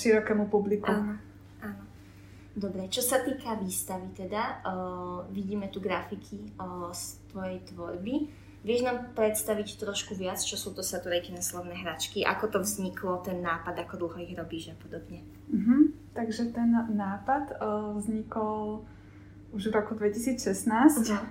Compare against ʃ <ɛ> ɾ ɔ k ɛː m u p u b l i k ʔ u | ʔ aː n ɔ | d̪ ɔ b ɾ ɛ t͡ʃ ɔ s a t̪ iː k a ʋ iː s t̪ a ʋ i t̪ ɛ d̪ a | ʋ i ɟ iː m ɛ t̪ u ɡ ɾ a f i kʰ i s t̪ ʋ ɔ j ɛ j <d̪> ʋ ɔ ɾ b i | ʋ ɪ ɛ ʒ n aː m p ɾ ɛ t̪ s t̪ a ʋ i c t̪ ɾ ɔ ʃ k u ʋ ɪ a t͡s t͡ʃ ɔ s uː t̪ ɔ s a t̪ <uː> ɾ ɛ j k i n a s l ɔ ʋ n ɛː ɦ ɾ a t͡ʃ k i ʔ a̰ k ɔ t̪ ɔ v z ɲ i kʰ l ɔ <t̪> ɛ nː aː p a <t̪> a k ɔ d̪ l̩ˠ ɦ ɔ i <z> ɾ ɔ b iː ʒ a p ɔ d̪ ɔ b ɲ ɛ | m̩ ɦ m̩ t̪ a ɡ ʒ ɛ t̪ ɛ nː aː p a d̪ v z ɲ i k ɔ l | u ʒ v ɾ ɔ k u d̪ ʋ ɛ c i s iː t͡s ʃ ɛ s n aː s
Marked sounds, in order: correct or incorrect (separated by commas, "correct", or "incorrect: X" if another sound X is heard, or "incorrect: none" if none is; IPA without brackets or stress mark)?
incorrect: i, incorrect: t̪, incorrect: u, correct, incorrect: d̪, incorrect: ɣ